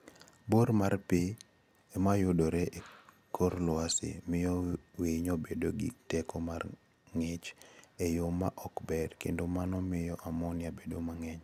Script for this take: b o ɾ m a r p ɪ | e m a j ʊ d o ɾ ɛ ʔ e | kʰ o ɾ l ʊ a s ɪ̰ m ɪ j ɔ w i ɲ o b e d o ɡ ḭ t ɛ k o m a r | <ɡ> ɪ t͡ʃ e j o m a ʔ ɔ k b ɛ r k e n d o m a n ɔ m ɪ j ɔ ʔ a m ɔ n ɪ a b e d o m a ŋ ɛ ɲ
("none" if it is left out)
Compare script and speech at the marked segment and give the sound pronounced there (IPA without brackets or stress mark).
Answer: ŋ